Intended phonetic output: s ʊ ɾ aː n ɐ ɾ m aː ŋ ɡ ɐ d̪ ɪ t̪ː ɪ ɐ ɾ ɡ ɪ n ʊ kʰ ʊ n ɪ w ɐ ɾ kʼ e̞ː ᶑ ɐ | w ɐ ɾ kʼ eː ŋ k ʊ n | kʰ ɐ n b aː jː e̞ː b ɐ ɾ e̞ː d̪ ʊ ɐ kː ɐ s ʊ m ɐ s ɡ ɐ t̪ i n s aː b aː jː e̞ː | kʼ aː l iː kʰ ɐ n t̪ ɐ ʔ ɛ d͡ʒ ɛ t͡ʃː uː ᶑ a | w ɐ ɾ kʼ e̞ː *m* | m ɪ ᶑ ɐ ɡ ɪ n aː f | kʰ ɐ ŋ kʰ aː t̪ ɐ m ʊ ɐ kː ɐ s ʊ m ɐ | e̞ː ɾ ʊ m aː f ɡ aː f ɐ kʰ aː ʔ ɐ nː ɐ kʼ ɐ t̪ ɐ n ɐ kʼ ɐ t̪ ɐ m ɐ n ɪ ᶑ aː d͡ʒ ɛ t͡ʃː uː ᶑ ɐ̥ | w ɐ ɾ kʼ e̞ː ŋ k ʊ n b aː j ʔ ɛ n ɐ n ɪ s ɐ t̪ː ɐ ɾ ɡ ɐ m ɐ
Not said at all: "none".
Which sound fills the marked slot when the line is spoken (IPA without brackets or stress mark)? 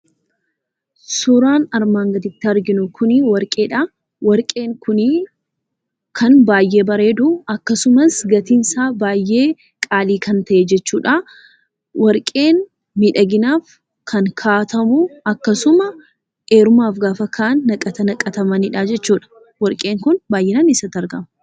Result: n